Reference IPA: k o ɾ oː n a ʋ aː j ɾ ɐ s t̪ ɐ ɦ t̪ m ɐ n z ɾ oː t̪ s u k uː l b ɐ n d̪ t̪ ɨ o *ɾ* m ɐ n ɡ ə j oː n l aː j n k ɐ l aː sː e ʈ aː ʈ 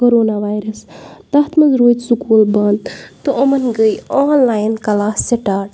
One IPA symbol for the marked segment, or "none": none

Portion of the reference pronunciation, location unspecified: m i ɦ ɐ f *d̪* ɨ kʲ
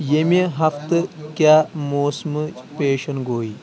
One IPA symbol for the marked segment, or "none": t̪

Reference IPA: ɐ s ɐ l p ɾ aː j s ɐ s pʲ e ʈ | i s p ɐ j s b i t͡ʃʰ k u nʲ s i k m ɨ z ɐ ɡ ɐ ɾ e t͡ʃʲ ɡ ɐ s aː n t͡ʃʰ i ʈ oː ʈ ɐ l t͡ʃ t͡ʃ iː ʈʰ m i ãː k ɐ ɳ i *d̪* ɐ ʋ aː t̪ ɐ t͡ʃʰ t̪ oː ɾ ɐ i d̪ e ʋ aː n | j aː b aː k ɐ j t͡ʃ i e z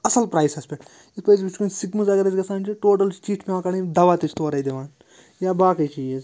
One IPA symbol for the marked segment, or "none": d̪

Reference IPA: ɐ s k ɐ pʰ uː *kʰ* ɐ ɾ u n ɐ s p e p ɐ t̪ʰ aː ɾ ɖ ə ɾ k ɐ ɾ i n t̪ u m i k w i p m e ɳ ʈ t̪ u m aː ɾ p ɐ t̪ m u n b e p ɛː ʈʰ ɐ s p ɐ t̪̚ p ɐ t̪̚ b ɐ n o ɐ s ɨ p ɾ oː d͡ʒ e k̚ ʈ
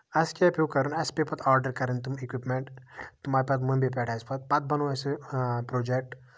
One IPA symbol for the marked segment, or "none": k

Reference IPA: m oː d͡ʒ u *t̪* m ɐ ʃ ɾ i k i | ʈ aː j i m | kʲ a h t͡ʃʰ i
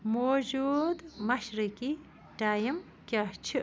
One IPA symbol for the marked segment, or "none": d̪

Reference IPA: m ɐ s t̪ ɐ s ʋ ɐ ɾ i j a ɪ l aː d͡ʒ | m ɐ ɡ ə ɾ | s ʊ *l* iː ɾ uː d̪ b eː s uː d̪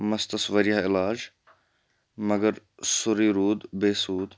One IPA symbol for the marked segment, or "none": ɾ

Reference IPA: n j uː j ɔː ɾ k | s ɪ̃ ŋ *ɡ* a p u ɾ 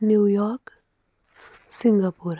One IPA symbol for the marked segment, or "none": ɡ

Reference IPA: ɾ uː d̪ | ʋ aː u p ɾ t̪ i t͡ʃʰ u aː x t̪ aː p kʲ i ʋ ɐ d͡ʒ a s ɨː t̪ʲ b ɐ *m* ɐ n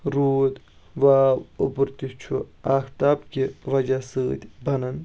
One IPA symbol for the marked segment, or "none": n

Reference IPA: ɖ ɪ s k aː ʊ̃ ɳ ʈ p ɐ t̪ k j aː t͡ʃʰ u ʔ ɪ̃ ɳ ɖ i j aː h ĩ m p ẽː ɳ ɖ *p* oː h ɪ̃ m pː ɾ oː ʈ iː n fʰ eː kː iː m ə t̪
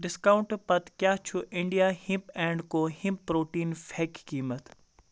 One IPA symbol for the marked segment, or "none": k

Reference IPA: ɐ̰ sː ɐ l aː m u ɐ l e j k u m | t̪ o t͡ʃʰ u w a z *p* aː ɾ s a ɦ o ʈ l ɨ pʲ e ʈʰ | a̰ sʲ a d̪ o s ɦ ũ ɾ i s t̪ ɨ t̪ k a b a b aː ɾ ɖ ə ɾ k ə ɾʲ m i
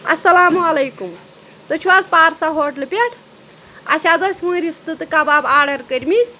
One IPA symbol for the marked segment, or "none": p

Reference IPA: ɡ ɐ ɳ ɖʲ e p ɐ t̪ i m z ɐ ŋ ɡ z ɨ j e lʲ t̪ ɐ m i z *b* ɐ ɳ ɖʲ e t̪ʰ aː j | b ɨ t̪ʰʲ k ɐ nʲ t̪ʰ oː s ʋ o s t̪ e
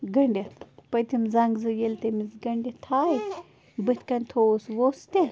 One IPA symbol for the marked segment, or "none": ɡ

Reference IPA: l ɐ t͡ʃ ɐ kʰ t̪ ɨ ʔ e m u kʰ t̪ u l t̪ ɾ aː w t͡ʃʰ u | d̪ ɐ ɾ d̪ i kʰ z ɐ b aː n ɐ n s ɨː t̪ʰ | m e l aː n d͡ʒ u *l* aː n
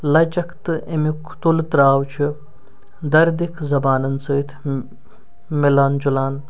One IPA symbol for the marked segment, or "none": l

